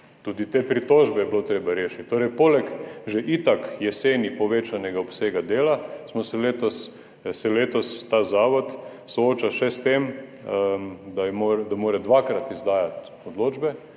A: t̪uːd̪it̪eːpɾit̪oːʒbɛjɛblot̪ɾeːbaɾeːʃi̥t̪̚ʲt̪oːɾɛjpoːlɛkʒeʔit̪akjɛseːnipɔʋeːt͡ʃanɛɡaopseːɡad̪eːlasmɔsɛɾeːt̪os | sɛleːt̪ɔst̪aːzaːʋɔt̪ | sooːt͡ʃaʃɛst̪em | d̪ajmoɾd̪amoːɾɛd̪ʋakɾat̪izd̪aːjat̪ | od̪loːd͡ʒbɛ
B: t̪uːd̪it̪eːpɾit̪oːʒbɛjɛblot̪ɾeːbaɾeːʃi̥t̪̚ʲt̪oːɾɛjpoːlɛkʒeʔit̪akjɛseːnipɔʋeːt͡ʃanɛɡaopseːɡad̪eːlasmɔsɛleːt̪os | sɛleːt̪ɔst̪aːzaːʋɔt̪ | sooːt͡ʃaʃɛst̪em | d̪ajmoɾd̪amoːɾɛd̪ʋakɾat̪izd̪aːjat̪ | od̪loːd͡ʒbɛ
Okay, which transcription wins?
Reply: B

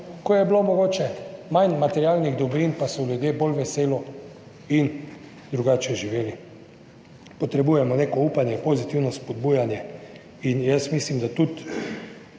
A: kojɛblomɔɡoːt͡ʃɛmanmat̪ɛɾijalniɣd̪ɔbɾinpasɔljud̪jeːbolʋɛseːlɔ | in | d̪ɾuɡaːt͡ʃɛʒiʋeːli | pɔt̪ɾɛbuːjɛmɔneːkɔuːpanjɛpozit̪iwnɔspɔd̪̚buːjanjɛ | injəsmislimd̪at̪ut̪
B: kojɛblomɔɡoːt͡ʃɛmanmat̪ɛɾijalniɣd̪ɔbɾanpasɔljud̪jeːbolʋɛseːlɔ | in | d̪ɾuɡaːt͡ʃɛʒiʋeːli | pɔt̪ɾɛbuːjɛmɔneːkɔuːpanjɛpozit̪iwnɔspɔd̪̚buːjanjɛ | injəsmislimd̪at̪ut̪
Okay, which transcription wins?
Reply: A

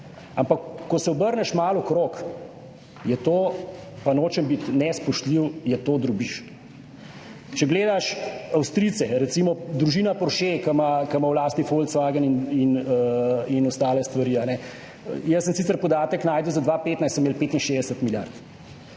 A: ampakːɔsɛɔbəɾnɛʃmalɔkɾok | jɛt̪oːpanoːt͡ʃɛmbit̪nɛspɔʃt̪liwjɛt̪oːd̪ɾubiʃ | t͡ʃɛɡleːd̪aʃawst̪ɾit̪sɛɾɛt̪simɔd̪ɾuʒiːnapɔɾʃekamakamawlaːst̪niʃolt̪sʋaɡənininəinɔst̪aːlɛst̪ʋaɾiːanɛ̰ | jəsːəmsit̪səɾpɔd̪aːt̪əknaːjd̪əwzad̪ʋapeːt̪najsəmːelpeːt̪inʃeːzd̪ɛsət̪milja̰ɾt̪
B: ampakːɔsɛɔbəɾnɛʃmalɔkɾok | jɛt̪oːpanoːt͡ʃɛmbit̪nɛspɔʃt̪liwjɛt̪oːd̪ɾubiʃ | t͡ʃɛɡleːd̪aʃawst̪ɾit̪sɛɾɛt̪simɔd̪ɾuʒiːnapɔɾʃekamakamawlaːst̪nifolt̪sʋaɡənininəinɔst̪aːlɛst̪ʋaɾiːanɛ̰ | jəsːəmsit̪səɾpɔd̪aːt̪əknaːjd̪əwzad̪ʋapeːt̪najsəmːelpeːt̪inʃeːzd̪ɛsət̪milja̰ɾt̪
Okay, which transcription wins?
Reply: B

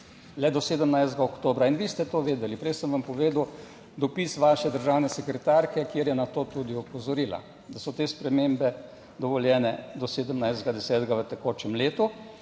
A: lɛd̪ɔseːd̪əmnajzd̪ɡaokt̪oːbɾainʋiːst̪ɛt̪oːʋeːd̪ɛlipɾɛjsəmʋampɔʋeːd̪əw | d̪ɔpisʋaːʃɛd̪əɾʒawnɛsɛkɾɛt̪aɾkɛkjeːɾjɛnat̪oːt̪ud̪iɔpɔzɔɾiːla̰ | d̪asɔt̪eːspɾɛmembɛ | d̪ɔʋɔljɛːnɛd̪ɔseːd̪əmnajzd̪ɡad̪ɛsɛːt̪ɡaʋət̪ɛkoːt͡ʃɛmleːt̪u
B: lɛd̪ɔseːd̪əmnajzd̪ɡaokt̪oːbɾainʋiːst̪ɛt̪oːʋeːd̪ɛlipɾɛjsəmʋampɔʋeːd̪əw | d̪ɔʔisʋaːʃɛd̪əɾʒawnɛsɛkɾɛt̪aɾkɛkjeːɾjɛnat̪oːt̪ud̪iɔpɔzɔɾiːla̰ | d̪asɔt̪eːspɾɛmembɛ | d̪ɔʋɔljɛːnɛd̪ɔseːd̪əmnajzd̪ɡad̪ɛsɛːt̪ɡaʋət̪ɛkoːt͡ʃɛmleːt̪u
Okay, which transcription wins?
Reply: A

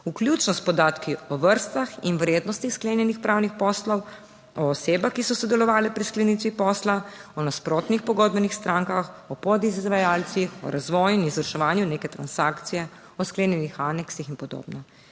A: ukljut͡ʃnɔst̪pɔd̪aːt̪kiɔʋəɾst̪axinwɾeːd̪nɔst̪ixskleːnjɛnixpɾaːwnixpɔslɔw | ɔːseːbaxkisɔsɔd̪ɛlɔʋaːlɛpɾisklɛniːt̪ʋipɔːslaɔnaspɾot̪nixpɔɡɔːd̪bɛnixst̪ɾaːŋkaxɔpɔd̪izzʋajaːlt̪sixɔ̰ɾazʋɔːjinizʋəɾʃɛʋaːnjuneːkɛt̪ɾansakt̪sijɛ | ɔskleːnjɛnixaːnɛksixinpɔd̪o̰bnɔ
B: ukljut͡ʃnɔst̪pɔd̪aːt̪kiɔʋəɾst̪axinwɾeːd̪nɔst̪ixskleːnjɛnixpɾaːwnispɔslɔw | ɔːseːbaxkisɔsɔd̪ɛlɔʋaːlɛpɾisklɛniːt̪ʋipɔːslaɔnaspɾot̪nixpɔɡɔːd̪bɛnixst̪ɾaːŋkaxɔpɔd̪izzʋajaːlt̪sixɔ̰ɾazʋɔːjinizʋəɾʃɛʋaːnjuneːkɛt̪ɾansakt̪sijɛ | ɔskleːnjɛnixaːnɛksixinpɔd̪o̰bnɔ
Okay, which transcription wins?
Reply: A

